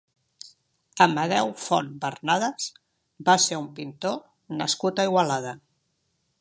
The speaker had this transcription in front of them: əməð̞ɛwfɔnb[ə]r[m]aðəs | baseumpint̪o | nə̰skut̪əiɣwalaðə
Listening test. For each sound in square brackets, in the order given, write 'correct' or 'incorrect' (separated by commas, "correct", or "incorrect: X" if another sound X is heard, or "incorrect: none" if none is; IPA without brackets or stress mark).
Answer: correct, incorrect: n